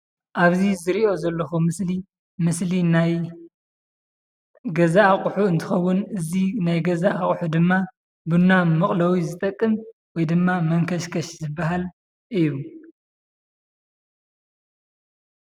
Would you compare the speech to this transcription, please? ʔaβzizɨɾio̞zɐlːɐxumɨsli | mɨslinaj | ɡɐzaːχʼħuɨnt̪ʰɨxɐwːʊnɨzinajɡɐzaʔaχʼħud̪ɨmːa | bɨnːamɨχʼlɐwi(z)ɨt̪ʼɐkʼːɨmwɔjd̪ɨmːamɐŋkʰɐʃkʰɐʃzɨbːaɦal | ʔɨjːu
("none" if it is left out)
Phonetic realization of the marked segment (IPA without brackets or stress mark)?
z